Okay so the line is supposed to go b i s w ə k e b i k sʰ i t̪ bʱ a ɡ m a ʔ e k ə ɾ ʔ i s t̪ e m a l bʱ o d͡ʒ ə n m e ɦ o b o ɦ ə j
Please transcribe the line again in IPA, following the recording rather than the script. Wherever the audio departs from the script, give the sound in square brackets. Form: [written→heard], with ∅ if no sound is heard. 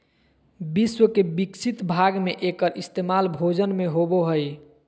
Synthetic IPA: b i s w ə k e b i k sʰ i t̪ bʱ a ɡ m [a→e] ʔ e k ə ɾ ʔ i s t̪ e m a l bʱ o d͡ʒ ə n m e ɦ o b o ɦ ə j